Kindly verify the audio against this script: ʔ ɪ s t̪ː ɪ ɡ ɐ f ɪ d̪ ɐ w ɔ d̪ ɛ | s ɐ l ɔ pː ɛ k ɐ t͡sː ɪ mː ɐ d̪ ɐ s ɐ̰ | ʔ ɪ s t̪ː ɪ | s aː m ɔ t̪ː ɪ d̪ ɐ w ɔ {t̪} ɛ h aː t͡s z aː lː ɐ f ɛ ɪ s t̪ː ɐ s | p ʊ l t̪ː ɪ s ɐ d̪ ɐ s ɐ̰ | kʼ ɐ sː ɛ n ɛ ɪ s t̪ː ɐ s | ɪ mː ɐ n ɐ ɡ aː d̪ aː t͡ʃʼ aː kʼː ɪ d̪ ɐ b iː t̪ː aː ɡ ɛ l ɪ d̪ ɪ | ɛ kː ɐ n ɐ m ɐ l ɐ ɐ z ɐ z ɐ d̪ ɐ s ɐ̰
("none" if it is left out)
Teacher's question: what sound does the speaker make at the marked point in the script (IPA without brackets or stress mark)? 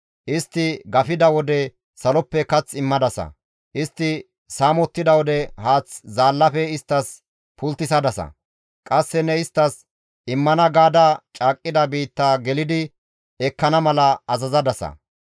d̪